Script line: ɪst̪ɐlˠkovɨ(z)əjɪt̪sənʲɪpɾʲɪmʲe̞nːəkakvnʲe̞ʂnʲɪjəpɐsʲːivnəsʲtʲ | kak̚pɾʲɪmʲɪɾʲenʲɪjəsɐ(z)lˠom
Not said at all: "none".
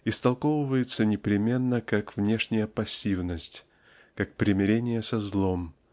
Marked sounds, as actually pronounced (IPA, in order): v, z

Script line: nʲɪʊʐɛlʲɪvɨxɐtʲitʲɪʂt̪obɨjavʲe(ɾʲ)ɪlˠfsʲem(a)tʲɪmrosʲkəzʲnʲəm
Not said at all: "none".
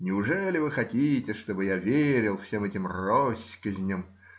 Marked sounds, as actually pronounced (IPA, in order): ɾʲ, ɛ

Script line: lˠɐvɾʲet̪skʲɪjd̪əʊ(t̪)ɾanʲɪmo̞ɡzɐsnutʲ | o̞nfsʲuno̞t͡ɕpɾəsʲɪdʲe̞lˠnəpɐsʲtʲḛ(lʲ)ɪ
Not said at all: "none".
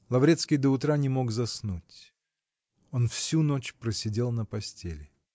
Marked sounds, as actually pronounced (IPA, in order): t̪, lʲ

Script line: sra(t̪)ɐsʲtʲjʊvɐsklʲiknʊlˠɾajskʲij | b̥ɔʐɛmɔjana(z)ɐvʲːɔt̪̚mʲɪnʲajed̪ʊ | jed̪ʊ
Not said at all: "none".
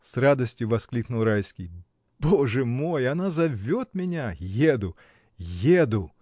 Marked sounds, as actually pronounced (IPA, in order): d̪, z

